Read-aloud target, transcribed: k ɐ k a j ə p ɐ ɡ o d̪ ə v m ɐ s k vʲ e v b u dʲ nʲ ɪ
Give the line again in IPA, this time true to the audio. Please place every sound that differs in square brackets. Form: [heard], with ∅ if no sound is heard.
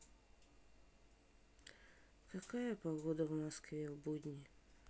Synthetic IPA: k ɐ k a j ə p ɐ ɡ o d̪ ə v m ɐ s k vʲ e v b u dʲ nʲ ɪ